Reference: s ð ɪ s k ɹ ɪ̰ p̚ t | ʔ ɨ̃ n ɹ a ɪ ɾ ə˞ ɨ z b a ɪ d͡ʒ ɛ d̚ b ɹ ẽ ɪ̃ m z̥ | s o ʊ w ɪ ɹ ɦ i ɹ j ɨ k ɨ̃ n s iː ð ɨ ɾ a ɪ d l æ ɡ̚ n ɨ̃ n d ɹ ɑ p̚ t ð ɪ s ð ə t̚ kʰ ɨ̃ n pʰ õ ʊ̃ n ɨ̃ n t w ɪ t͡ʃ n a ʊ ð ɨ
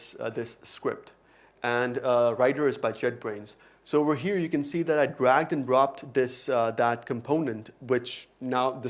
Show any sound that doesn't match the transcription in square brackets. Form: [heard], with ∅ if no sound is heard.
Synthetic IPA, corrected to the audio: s ð ɪ s k ɹ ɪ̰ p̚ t | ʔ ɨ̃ n ɹ a ɪ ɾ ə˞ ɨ z b a ɪ d͡ʒ ɛ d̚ b ɹ ẽ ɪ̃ [n] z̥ | s o ʊ w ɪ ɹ ɦ i ɹ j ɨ k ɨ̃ n s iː ð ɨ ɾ a ɪ d [ɹ] æ ɡ̚ [d] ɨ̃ n d ɹ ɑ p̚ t ð ɪ s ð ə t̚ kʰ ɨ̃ [m] pʰ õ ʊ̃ n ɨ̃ n t w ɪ t͡ʃ n a ʊ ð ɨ